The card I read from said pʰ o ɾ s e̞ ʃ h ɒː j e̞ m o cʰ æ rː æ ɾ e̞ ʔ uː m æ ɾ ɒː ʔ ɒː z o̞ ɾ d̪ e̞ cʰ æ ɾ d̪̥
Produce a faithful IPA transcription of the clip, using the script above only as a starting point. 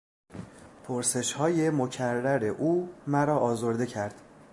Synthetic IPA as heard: pʰ o ɾ s e̞ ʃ h ɒː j e̞ m o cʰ æ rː æ ɾ e̞ ʔ uː m æ ɾ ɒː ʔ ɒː z o̞ ɾ d̪ e̞ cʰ æ ɾ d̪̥

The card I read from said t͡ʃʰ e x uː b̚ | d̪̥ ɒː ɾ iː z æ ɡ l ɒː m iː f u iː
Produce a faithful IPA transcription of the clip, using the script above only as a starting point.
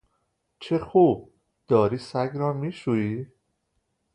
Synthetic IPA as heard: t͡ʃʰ e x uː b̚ | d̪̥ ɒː ɾ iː s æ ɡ ɾ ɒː m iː ʃ u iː

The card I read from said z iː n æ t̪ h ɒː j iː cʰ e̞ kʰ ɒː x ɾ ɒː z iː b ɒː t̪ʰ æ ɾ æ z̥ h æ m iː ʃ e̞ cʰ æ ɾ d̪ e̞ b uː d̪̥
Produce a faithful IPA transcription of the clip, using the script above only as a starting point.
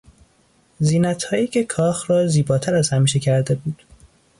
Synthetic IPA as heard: z iː n æ t̪ h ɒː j iː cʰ e̞ kʰ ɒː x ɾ ɒː z iː b ɒː t̪ʰ æ ɾ æ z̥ h æ m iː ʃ e̞ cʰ æ ɾ d̪ e̞ b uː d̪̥

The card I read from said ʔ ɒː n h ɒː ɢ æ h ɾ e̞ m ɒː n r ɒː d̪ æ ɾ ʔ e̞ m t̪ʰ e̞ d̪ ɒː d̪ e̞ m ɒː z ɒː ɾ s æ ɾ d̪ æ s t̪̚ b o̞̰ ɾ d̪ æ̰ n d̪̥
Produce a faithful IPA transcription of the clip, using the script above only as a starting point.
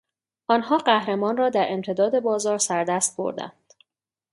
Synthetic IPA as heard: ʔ ɒː n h ɒː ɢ æ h ɾ e̞ m ɒː n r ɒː d̪ æ ɾ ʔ e̞ m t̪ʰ e̞ d̪ ɒː d̪ e̞ b ɒː z ɒː ɾ s æ ɾ d̪ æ s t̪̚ b o̞̰ ɾ d̪ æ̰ n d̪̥

